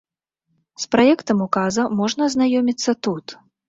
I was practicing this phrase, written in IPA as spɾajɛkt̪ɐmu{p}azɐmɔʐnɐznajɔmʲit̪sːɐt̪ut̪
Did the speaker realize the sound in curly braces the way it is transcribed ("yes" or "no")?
no